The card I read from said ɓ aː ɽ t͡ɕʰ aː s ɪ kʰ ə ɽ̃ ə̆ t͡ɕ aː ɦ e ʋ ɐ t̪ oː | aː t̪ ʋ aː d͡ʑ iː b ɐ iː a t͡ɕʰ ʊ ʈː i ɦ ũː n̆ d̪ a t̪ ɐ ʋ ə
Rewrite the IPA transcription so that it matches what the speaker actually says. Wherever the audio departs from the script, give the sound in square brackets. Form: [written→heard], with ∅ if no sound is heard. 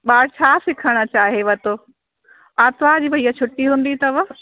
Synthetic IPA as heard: ɓ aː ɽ t͡ɕʰ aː s ɪ kʰ ə ɽ̃ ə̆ t͡ɕ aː ɦ e ʋ ɐ t̪ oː | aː t̪ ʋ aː d͡ʑ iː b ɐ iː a t͡ɕʰ ʊ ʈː i ɦ ũː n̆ d̪ [a→i] t̪ ɐ ʋ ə

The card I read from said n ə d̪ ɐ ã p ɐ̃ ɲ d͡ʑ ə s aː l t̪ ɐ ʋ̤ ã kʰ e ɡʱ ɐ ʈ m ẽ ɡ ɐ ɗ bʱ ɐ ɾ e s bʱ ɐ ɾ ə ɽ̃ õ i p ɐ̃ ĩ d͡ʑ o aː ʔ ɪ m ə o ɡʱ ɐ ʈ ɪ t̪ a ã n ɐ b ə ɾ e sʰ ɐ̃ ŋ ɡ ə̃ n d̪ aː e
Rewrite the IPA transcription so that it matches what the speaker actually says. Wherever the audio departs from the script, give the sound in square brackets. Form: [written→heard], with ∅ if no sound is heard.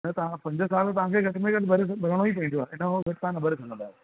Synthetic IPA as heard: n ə [d̪→t̪] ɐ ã p ɐ̃ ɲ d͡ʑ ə s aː l t̪ ɐ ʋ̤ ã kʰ e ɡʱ ɐ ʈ m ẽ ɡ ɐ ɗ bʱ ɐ ɾ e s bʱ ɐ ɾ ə ɽ̃ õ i p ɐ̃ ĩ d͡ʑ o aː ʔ ɪ [m→n] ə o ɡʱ ɐ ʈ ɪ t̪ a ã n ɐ b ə ɾ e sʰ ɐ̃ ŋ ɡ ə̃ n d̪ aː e

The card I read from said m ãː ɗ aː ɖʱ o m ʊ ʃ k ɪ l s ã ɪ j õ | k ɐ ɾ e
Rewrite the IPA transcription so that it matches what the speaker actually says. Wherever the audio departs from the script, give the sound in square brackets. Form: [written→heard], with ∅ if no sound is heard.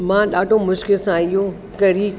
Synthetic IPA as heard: m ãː ɗ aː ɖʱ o m ʊ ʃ k ɪ l s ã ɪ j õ | k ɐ ɾ [e→i]

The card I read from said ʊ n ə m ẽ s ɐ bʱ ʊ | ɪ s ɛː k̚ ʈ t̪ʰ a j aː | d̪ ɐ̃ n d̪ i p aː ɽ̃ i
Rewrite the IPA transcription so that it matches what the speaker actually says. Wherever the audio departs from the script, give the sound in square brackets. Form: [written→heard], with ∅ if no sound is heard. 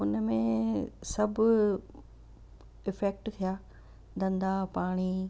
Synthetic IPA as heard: ʊ n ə m ẽ s ɐ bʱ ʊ | ɪ [s→f] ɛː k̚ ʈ t̪ʰ [a→i] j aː | d̪ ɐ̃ n d̪ [i→a] p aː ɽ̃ i

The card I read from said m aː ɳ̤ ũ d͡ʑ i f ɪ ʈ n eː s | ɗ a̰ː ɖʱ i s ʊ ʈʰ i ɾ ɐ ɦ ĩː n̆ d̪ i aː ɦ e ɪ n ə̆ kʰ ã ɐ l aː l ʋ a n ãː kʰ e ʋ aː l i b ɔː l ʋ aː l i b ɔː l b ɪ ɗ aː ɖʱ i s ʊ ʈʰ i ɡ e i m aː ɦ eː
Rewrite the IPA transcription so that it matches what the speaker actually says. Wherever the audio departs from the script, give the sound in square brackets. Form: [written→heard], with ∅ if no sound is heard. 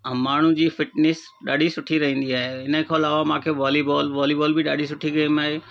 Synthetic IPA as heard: m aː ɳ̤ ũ d͡ʑ [i→iː] f ɪ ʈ n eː s | ɗ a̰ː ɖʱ i s ʊ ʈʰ i ɾ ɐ ɦ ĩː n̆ d̪ i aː ɦ e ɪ n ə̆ kʰ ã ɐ l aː [l→∅] ʋ a [n→m] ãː kʰ e ʋ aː l i b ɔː l ʋ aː l i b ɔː l b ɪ ɗ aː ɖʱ i s ʊ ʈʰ i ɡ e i m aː ɦ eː

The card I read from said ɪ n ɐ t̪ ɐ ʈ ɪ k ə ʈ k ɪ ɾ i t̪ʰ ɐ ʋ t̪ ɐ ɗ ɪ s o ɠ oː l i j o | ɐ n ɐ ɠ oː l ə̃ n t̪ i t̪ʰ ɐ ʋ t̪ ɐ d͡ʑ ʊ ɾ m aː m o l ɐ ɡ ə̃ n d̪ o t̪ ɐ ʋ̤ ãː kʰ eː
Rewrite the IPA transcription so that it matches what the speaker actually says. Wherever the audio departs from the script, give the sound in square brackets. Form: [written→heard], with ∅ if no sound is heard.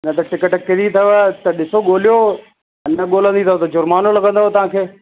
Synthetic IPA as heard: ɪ n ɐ t̪ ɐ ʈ ɪ k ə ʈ k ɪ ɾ i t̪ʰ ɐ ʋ t̪ ɐ ɗ ɪ s o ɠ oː l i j o | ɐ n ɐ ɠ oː l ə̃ n [t̪→d̪] i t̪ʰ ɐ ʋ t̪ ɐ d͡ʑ ʊ ɾ m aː [m→n] o l ɐ ɡ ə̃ n d̪ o t̪ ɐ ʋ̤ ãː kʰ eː

